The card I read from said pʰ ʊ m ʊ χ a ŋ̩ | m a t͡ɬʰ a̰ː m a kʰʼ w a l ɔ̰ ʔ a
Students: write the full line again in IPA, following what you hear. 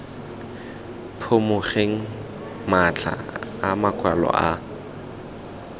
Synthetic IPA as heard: pʰ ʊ m ʊ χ e ŋ̩ | m a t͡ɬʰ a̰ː m a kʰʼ w a l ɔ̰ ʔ a

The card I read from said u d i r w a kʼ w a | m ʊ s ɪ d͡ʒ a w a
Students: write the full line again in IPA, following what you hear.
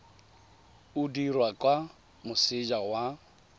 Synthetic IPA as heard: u d i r w a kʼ w a | m ʊ s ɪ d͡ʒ a w a

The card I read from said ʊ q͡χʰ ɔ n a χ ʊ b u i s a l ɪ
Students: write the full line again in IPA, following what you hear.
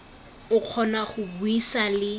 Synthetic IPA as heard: ʊ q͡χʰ ɔ n a χ ʊ b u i s a l ɪ

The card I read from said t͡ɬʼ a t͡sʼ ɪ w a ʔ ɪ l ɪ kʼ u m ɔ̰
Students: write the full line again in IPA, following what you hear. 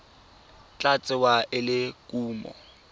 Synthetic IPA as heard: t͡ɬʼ a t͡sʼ ɪ w a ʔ ɪ l ɪ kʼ uː m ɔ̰

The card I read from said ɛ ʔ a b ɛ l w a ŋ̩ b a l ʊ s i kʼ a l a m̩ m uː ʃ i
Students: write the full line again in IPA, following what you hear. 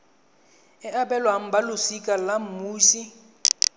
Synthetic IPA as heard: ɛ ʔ a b ɛ l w a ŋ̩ b a l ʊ s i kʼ a l a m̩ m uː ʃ i

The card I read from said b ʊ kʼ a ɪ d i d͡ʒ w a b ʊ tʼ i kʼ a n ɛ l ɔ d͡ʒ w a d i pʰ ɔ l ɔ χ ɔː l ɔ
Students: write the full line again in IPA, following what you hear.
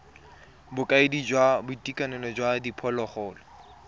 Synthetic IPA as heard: b ʊ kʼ a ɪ d i d͡ʒ w a b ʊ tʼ i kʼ a n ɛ l ɔ d͡ʒ w a d i pʰ ɔ l ɔ χ ɔː l ɔ

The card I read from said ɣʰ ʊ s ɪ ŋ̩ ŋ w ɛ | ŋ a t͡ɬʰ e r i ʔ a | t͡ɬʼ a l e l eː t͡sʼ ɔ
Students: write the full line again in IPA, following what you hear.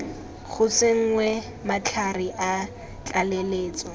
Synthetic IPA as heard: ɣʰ ʊ s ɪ ŋ̩ ŋ w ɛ | m a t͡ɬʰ a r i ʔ a | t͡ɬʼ a l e l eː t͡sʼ ɔ

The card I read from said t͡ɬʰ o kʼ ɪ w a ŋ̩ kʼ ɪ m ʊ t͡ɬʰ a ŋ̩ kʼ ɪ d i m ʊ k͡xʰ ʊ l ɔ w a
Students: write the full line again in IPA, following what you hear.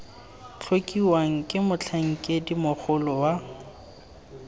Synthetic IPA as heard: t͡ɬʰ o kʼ i w a ŋ̩ kʼ ɪ m ʊ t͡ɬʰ a ŋ̩ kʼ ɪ d i m ʊ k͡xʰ ʊ l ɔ w a

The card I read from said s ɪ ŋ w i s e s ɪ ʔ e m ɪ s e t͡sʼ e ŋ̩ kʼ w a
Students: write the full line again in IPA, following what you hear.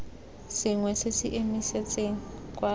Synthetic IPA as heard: s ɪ ŋ w ɛ s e s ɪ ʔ e m i s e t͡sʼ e ŋ̩ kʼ w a

